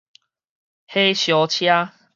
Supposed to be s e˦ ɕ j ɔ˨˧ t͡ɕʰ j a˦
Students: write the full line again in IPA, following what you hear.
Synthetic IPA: h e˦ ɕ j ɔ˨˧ t͡ɕʰ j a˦